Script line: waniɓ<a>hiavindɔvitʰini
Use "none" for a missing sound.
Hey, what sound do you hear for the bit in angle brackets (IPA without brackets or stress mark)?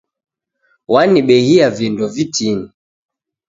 ɛ